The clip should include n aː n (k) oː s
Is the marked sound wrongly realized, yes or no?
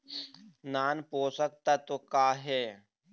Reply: yes